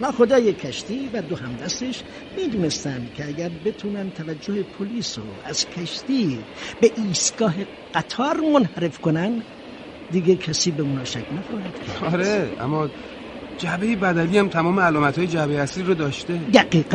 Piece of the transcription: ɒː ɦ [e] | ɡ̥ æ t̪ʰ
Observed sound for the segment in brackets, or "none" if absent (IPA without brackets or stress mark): e